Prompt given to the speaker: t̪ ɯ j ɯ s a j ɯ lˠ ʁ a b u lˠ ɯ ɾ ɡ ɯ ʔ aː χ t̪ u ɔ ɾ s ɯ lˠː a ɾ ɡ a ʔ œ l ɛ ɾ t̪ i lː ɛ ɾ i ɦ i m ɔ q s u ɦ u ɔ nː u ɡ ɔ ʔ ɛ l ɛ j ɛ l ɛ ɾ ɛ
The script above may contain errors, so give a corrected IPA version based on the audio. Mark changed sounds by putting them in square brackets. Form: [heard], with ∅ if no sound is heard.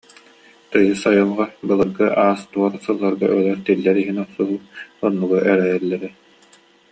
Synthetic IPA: t̪ ɯ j ɯ s a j ɯ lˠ ʁ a b [ɯ] lˠ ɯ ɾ ɡ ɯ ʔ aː [s] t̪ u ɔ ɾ s ɯ lˠː a ɾ ɡ a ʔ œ l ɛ ɾ t̪ i lː ɛ ɾ i ɦ i [n] ɔ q s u ɦ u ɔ nː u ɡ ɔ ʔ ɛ [ɾ] ɛ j ɛ [lː] ɛ ɾ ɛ